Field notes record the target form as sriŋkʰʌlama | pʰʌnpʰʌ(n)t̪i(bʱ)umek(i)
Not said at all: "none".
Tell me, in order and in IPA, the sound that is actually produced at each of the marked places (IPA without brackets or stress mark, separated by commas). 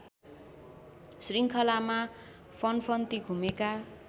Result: n, ɡʱ, a